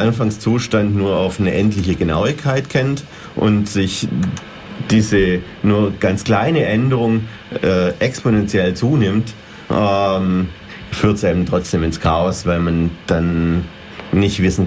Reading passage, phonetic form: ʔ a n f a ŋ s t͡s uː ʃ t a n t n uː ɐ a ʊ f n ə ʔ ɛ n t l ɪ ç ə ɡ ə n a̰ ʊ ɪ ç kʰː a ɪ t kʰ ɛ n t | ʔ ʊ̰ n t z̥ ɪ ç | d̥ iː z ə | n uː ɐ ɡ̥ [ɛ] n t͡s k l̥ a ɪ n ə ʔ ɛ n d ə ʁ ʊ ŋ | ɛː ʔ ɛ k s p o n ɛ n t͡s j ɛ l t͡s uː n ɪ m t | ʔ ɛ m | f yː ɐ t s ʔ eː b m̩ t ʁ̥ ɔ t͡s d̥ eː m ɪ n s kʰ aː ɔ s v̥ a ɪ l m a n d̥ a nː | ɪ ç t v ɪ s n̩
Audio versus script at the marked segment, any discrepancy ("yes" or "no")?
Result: yes